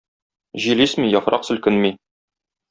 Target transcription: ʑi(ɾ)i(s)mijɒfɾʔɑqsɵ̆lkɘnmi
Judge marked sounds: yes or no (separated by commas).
no, yes